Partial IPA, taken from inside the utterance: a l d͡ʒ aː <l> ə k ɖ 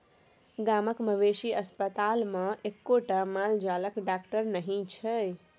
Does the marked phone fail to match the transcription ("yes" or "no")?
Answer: no